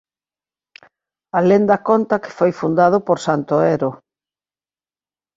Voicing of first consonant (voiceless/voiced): voiced